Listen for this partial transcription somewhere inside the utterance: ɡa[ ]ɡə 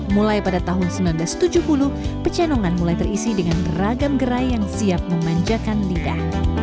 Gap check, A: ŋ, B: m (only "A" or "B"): B